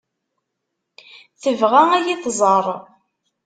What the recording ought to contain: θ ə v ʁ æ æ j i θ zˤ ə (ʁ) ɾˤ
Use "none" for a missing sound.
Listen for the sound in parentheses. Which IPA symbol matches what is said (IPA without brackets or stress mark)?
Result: none